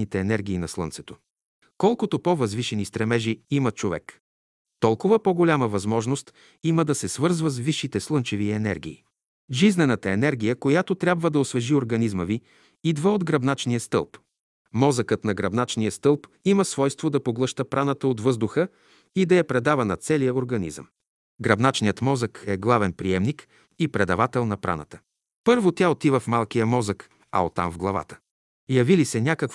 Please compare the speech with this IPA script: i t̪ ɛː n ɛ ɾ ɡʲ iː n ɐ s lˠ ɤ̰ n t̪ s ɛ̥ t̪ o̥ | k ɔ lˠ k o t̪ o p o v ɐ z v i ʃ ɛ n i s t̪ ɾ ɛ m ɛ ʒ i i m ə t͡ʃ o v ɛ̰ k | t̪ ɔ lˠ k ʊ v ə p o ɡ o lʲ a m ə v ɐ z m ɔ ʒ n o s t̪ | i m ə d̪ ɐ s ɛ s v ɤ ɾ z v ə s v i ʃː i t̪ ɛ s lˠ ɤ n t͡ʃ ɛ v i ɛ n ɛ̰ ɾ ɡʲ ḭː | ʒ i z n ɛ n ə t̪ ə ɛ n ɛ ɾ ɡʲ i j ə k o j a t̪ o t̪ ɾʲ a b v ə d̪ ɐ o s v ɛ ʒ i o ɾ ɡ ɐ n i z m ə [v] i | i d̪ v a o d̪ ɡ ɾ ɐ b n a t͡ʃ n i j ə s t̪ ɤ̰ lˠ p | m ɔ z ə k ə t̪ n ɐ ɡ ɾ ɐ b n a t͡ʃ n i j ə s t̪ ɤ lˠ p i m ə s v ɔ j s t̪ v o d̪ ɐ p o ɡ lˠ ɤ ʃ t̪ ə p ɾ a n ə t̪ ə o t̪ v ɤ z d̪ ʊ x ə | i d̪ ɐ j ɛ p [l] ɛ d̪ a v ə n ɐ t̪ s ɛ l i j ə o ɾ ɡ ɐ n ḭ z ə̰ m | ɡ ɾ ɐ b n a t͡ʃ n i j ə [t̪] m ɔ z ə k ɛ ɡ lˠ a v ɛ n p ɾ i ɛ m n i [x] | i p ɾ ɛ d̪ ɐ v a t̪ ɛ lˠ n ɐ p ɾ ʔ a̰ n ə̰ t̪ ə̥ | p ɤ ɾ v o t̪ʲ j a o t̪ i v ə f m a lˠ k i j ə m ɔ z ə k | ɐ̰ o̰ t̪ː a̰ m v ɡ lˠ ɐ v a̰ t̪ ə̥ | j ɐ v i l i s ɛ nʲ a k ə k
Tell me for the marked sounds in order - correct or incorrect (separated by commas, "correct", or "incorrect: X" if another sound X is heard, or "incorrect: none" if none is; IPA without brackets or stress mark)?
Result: correct, incorrect: ɾ, correct, incorrect: k